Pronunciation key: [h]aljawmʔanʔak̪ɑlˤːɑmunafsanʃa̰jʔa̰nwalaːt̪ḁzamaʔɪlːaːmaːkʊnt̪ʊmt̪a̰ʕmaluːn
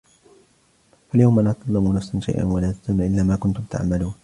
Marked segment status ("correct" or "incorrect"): incorrect